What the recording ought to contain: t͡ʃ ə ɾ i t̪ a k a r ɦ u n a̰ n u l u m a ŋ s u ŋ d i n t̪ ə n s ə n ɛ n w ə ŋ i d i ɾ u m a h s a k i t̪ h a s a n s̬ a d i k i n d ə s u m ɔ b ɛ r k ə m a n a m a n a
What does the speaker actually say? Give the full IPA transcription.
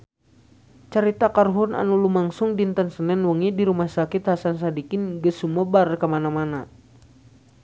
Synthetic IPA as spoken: t͡ʃ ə ɾ i t̪ a k a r ɦ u n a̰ n u l u m a ŋ s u ŋ d i n t̪ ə n s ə n ɛ n w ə ŋ i d i ɾ u m a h s a k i t̪ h a s a n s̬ a d i k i n ɡ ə s u m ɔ b a r k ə m a n a m a n a